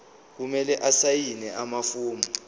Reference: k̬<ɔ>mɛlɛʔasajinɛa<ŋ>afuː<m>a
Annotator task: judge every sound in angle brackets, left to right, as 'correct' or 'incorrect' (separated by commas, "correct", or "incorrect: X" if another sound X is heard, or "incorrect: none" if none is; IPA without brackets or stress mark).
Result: incorrect: u, incorrect: m, correct